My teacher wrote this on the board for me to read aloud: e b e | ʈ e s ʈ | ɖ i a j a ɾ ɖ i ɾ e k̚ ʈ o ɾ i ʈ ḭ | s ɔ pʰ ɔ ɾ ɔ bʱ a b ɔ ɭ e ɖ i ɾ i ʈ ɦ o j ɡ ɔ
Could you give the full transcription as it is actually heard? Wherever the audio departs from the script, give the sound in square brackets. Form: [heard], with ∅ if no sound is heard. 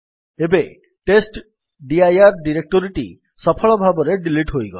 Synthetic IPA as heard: e b e | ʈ e s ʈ | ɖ i a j a ɾ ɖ i ɾ e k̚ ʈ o ɾ i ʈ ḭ | s ɔ pʰ ɔ [ɭ] ɔ bʱ a b ɔ [ɾ] e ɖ i [l] i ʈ ɦ o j ɡ ɔ